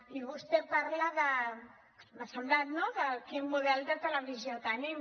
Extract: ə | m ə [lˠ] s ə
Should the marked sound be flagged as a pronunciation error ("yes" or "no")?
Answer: yes